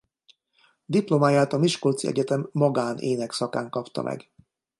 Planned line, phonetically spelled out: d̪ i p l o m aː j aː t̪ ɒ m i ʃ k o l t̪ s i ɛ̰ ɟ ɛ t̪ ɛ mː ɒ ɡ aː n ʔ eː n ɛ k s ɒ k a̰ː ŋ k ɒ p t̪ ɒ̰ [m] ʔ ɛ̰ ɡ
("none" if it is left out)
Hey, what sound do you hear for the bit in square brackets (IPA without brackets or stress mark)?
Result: m